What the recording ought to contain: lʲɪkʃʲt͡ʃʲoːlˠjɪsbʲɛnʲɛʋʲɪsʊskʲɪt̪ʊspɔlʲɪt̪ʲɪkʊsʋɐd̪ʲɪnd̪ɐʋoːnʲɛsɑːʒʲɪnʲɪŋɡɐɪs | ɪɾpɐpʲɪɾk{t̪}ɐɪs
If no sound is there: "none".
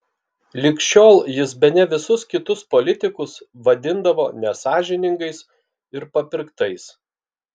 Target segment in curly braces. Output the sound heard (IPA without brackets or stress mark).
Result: t̪